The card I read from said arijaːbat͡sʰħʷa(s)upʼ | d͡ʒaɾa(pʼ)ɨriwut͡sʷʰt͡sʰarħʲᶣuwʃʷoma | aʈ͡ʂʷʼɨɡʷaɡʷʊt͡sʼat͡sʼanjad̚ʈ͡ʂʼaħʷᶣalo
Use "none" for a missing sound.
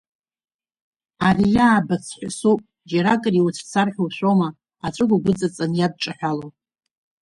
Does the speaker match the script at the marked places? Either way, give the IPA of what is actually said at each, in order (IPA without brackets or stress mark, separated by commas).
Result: s, kʼ